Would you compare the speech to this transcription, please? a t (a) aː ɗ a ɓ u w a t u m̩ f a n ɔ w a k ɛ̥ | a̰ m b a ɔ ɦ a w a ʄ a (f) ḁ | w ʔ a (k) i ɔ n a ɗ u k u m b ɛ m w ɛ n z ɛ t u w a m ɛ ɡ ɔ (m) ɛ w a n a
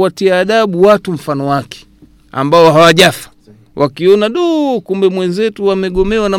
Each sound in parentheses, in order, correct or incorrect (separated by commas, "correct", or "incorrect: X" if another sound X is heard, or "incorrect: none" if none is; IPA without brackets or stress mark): incorrect: i, correct, correct, correct